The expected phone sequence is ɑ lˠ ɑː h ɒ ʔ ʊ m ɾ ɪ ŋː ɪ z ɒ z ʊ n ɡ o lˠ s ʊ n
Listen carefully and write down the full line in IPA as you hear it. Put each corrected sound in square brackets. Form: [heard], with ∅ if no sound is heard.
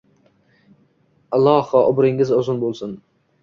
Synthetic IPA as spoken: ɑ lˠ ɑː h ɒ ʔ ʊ [b] ɾ ɪ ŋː ɪ z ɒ z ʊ n [b] o lˠ s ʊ n

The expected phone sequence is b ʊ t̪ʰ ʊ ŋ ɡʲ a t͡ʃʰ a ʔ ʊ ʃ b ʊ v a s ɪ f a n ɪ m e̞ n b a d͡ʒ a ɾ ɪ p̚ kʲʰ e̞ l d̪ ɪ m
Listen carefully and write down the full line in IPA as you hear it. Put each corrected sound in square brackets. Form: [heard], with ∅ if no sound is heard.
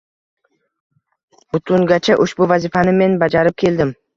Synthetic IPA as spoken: b ʊ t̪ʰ ʊ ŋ ɡʲ a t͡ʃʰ a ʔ ʊ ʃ b ʊ v a [z] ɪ f a n ɪ m e̞ n b a d͡ʒ a ɾ ɪ p̚ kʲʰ e̞ l d̪ ɪ m

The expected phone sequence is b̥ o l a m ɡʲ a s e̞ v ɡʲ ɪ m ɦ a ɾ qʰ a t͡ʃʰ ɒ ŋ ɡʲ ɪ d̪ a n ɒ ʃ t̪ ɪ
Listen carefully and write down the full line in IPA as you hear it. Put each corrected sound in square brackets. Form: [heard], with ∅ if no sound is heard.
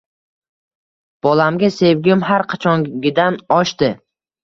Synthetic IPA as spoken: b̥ [ɒ] l a m ɡʲ a s e̞ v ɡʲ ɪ m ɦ a ɾ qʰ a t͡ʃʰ ɒ ŋ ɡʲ ɪ d̪ a n ɒ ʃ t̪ ɪ

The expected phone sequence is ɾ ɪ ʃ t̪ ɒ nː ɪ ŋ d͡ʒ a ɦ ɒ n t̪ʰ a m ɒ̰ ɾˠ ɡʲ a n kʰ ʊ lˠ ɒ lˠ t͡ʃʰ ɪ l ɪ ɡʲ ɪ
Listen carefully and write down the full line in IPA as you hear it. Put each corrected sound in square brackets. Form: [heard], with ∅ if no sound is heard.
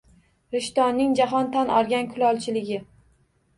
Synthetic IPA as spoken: ɾ ɪ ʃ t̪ ɒ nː ɪ ŋ d͡ʒ a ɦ ɒ n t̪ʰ a [n] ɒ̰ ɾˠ ɡʲ a n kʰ ʊ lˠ ɒ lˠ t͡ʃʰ ɪ l ɪ ɡʲ ɪ

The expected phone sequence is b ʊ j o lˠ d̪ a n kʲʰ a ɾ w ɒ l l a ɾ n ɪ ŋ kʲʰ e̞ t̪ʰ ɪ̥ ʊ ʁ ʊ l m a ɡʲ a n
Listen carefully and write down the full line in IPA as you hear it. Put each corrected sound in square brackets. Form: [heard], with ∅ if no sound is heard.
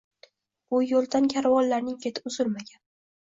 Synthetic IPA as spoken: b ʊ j o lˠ d̪ a n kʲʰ a ɾ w ɒ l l a ɾ n ɪ ŋ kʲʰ e̞ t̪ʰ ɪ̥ ʊ [z] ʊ l m a ɡʲ a n

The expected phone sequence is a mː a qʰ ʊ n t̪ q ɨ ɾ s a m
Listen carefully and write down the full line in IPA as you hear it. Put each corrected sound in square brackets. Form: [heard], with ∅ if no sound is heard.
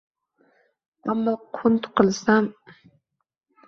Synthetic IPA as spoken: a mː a qʰ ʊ n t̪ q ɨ [l] s a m

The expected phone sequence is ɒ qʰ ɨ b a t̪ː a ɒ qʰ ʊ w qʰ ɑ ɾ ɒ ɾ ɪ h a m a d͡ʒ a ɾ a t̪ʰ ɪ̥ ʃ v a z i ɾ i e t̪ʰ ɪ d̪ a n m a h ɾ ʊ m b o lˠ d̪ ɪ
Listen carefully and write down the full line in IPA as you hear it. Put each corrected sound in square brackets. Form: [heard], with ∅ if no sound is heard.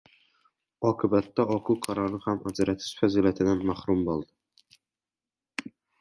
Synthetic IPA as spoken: ɒ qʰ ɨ b a t̪ː a ɒ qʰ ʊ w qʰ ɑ ɾ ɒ ɾ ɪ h a m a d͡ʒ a ɾ a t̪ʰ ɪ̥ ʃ [f] a z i [l] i [a] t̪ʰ ɪ d̪ a n m a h ɾ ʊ m b o lˠ d̪ ɪ

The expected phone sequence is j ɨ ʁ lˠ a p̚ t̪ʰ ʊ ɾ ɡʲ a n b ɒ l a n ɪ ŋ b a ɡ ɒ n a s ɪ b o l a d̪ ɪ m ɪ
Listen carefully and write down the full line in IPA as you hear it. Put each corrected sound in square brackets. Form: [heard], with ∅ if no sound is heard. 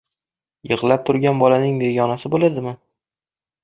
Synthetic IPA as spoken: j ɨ ʁ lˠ a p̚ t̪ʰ ʊ ɾ ɡʲ a n b ɒ l a n ɪ ŋ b [e] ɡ ɒ n a s ɪ b o l a d̪ ɪ m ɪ

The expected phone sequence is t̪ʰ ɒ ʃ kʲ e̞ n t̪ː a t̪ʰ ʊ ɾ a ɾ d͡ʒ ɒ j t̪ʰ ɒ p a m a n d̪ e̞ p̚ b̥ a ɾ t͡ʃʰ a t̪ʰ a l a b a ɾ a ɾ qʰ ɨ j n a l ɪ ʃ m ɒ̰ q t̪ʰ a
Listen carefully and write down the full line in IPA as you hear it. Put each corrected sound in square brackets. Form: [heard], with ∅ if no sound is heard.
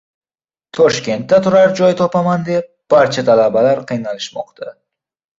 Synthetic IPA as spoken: t̪ʰ ɒ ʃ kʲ e̞ n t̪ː a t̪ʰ ʊ ɾ a ɾ d͡ʒ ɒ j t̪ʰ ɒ p a m a n d̪ e̞ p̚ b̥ a ɾ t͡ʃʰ a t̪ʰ a l a b a [l] a ɾ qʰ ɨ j n a l ɪ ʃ m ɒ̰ q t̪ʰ a

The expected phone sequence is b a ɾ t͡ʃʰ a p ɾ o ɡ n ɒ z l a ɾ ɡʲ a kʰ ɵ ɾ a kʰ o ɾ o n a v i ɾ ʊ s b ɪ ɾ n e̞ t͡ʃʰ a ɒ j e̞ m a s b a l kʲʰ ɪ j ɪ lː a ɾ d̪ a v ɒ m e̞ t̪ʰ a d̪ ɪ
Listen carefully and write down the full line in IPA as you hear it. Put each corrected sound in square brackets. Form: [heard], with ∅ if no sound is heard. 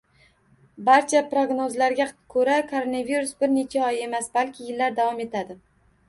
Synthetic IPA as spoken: b a ɾ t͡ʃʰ a p ɾ o ɡ n [o] z l a ɾ ɡʲ a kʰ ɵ ɾ a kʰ o ɾ o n a v i ɾ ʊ s b ɪ ɾ n e̞ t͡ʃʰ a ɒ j e̞ m a s b a l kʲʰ ɪ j ɪ lː a ɾ d̪ a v ɒ m e̞ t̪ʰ a d̪ ɪ

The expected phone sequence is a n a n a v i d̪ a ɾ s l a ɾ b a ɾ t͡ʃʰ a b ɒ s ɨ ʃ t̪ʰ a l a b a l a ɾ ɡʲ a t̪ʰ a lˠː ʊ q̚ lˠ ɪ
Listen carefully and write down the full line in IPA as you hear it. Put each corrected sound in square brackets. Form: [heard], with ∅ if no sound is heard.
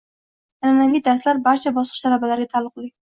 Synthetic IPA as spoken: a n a n a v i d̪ a ɾ s l a ɾ b a ɾ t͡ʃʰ a b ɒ s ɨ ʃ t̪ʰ a l a b a l a ɾ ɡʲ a t̪ʰ a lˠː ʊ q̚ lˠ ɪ

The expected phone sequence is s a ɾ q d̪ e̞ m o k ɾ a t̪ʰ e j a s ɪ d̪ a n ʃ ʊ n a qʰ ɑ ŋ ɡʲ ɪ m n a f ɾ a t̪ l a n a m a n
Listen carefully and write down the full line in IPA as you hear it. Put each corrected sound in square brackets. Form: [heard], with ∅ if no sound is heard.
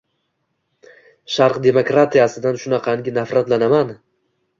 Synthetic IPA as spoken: [ʃ] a ɾ q d̪ e̞ m o k ɾ a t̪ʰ [i] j a s ɪ d̪ a n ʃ ʊ n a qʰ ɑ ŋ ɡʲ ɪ [∅] n a f ɾ a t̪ l a n a m a n

